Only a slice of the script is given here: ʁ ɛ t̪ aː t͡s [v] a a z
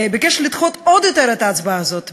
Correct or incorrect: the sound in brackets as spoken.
incorrect: b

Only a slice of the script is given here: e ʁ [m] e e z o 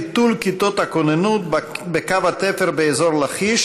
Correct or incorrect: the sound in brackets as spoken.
incorrect: b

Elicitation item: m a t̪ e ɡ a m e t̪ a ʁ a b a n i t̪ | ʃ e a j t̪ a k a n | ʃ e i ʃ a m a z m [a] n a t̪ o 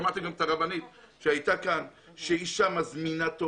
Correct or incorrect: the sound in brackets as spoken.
incorrect: i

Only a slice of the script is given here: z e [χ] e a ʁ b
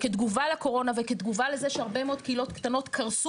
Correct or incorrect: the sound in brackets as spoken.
incorrect: ʃ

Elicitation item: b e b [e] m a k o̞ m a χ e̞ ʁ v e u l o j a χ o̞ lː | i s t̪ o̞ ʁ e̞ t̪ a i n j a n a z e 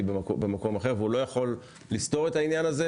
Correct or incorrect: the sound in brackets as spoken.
correct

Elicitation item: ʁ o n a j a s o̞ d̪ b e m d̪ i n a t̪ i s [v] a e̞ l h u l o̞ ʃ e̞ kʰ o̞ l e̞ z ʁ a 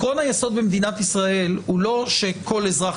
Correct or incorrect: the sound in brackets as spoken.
incorrect: ʁ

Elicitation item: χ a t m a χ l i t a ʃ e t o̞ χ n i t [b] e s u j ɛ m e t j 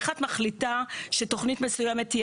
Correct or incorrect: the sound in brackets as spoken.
incorrect: m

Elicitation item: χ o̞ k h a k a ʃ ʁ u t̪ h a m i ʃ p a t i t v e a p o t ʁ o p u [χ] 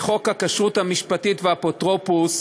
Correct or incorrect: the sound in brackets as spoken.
incorrect: s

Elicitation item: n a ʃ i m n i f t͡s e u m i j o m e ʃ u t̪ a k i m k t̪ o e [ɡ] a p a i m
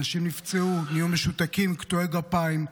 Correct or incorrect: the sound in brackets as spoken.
correct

